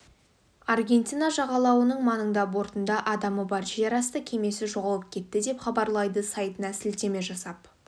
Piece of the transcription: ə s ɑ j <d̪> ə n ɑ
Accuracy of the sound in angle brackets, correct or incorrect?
incorrect: t̪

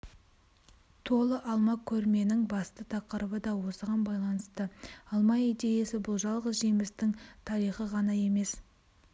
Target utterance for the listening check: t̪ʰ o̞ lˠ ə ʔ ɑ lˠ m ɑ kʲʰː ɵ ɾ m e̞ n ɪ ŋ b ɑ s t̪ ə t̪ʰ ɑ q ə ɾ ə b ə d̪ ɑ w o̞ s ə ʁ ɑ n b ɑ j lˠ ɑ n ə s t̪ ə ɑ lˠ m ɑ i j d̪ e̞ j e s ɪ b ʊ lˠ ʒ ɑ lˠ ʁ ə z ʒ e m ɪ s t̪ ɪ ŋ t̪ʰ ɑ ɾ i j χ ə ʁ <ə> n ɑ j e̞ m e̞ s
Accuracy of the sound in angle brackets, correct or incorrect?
incorrect: ɑ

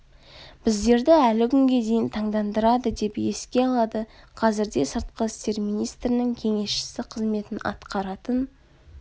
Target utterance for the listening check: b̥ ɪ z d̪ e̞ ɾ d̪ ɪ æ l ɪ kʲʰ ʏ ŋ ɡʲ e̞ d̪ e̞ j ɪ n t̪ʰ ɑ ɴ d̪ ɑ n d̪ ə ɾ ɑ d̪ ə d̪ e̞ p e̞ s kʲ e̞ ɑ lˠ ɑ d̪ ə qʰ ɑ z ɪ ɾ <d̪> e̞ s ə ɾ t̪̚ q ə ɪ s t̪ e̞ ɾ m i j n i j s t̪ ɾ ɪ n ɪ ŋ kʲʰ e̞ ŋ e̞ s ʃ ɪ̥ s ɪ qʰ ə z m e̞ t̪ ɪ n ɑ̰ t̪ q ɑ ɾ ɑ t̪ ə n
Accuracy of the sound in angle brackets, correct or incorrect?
correct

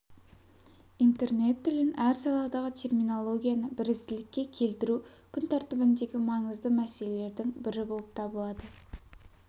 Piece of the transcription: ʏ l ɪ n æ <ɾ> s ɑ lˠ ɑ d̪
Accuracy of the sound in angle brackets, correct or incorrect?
correct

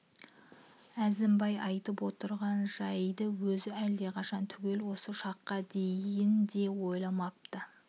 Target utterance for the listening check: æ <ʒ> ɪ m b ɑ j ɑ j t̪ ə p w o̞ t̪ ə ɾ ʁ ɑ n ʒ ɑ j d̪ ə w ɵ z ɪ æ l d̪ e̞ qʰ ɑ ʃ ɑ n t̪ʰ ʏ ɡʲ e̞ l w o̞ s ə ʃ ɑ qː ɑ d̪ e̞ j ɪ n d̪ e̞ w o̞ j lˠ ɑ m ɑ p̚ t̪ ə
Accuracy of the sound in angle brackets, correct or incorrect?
incorrect: z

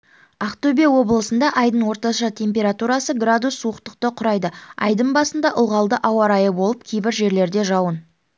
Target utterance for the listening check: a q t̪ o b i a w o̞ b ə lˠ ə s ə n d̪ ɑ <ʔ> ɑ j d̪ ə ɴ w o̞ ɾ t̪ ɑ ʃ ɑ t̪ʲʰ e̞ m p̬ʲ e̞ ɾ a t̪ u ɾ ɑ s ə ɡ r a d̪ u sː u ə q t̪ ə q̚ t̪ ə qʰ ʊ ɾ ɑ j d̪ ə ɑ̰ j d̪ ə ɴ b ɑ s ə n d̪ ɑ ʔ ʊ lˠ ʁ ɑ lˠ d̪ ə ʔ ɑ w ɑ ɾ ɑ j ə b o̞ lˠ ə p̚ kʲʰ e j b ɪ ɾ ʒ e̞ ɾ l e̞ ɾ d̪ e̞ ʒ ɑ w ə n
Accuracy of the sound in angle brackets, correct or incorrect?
correct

